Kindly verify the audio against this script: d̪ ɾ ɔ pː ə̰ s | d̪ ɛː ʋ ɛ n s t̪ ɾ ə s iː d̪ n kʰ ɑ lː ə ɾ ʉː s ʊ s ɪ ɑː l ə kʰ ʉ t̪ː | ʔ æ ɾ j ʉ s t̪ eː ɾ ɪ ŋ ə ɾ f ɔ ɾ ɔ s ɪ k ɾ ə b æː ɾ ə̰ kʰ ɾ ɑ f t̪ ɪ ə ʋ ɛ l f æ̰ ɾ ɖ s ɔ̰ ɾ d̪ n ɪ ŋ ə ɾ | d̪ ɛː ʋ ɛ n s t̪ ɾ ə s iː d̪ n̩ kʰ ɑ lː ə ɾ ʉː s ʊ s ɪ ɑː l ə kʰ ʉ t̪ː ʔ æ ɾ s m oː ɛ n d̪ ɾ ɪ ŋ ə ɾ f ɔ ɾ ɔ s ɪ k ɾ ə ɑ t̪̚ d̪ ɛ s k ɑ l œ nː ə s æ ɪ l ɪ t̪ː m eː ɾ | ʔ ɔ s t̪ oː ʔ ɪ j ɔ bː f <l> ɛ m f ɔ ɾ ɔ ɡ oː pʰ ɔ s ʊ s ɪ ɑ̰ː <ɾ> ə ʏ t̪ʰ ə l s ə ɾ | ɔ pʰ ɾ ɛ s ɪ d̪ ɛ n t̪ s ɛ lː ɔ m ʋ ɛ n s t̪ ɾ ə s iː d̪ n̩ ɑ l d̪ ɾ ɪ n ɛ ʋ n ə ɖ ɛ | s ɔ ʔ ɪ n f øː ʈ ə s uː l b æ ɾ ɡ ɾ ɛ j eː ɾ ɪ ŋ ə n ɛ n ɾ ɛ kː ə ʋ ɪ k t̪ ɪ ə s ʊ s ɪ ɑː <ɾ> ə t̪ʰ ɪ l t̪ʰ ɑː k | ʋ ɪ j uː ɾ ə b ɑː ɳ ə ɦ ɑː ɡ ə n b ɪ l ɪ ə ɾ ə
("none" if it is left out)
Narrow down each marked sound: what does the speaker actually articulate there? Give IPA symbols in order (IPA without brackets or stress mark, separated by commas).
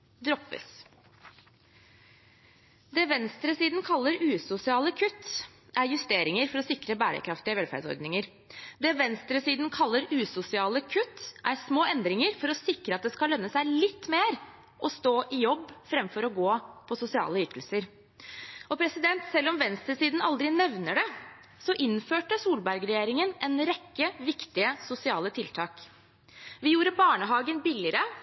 ɾ, l, l